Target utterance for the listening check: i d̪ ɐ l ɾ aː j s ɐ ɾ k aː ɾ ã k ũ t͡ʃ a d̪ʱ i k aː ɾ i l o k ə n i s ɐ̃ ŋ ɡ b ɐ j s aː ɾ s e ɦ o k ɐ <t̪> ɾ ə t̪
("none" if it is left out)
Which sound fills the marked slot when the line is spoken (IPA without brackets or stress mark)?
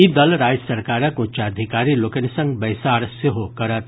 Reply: none